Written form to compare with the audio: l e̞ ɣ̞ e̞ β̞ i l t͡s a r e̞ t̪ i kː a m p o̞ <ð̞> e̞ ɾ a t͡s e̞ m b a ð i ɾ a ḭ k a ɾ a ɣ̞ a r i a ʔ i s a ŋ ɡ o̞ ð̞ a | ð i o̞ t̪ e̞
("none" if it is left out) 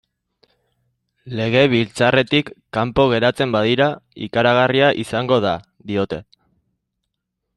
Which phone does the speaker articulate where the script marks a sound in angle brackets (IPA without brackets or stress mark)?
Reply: ɣ̞